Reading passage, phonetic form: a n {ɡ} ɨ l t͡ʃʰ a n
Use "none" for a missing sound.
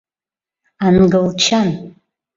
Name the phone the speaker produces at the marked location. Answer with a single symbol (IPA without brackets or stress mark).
ɡ